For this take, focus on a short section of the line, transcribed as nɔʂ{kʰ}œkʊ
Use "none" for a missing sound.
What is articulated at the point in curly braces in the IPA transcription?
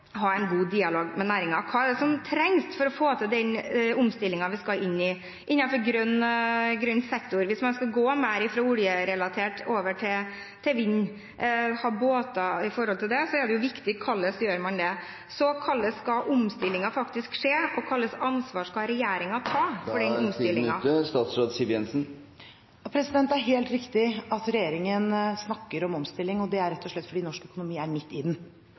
k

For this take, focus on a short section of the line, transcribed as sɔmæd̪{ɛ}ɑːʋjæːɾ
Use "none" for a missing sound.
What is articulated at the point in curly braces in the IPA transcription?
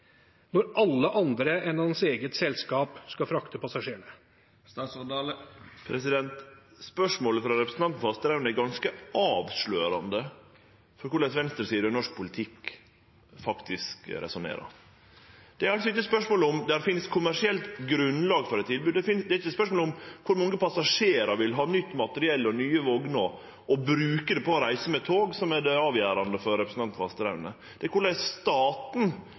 ɛ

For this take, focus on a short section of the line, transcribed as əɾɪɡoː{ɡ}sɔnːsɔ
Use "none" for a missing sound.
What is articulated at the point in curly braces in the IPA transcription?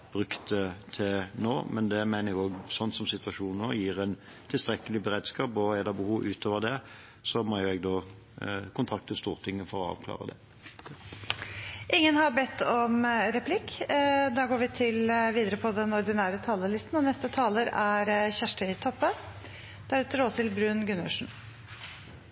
ɡ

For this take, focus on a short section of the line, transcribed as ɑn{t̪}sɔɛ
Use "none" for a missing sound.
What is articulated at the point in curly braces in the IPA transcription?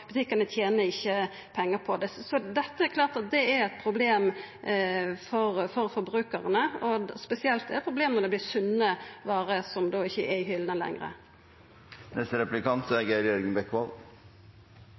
t̪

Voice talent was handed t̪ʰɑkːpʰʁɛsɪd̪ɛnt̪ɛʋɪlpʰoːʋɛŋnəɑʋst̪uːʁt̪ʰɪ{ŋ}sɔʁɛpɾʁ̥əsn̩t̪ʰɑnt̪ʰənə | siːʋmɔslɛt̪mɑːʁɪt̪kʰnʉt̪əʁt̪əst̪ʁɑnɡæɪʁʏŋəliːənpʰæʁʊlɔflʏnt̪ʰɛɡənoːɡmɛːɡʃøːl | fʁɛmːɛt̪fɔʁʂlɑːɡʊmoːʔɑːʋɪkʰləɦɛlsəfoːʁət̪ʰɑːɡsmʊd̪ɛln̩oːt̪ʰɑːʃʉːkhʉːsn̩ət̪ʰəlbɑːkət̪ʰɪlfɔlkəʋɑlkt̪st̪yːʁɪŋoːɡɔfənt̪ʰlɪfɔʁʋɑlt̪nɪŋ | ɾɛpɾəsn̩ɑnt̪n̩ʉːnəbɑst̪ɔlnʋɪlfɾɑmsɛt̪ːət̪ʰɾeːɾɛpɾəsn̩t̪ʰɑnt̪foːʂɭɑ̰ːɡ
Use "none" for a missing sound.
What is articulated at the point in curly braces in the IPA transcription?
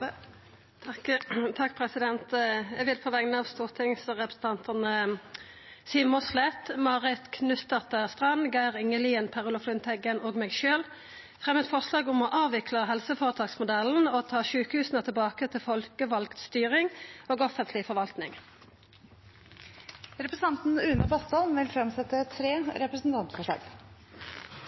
ŋ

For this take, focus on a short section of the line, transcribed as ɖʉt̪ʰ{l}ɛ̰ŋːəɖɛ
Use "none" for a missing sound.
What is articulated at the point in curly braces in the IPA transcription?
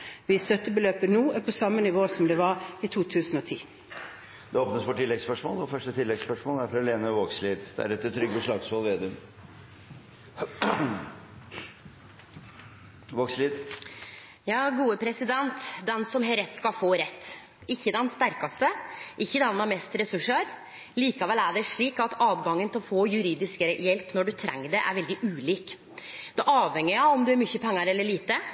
ɾ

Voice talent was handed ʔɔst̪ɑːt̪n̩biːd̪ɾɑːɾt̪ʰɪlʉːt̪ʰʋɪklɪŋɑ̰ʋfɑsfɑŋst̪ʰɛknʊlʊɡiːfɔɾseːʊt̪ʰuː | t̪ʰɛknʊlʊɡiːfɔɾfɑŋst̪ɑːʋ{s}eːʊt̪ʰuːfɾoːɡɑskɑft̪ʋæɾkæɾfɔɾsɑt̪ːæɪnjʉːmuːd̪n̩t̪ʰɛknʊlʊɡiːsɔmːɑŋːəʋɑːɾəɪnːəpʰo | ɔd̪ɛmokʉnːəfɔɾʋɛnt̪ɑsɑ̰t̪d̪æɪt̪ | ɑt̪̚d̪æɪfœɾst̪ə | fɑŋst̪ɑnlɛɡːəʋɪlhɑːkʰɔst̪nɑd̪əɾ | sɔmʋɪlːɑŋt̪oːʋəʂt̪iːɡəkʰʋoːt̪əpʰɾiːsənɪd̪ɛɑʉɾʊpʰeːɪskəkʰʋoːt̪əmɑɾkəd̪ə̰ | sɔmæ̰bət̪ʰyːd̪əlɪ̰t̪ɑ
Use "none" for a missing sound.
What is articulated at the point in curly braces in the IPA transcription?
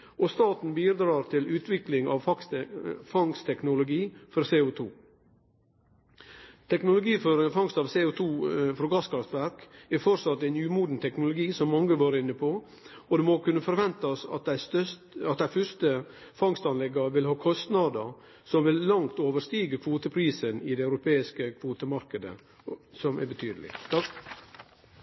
s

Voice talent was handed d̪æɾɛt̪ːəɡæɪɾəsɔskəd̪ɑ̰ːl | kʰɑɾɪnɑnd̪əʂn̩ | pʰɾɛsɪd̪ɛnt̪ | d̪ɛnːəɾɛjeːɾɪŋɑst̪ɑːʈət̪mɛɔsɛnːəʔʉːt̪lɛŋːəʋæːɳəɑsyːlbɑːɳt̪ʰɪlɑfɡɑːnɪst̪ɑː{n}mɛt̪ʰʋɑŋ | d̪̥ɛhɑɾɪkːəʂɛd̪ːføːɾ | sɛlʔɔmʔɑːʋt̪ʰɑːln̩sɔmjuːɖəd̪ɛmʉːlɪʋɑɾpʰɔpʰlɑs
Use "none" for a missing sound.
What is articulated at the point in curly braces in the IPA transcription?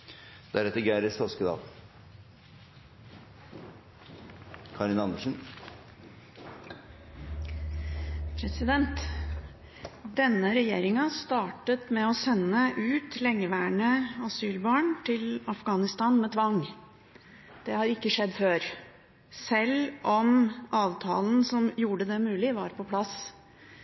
n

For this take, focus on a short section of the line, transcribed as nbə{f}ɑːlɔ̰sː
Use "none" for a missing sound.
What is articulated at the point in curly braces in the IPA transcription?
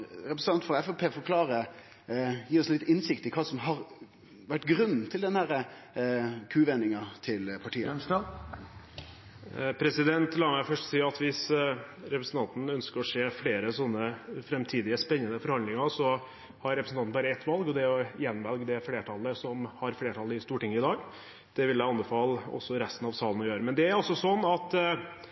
f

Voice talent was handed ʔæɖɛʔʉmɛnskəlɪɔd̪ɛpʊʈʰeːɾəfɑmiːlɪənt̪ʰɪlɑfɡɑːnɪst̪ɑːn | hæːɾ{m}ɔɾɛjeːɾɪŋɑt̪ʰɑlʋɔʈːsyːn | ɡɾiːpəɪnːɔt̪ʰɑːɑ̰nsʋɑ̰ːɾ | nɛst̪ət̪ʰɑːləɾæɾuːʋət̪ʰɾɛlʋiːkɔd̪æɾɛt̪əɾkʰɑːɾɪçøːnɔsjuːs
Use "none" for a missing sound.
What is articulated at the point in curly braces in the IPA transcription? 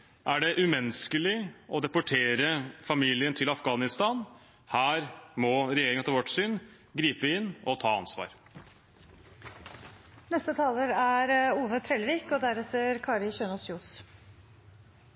m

